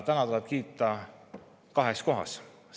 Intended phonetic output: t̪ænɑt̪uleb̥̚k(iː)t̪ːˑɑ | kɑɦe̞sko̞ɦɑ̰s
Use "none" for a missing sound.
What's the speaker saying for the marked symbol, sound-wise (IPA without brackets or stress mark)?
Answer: iː